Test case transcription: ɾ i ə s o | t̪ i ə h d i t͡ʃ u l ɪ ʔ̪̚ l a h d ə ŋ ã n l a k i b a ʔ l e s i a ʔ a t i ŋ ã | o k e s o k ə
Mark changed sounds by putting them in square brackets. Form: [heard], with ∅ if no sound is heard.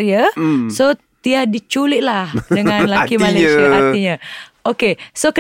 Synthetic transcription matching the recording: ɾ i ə s o | t̪ i [a] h d i t͡ʃ u l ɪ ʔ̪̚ l a h d ə ŋ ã n l a k i [m] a [∅] l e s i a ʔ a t i [ɲ] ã | o k e s o k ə